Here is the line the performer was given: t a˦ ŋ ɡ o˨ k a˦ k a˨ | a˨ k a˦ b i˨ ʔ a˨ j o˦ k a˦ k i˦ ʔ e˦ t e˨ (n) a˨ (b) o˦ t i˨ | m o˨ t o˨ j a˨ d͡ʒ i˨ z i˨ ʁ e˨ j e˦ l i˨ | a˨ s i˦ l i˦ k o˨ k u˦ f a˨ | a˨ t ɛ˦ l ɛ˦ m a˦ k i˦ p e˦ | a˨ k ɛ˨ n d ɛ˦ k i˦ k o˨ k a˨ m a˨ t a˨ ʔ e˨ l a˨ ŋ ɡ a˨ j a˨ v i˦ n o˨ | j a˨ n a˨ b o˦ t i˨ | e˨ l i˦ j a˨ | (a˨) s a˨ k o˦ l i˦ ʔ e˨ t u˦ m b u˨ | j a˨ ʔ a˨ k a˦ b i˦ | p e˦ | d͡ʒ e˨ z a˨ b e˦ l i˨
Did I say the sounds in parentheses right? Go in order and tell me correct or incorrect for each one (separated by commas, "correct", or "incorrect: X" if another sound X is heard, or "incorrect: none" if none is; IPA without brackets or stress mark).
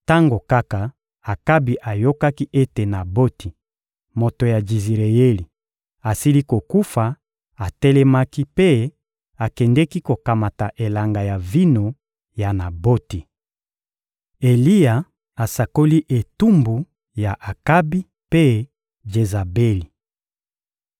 correct, correct, correct